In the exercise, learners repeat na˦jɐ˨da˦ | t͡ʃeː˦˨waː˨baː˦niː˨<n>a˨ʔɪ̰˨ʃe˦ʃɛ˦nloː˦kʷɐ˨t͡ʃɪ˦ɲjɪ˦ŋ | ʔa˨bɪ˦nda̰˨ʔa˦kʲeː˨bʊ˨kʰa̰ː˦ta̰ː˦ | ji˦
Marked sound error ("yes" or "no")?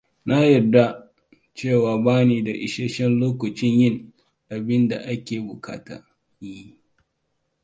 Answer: yes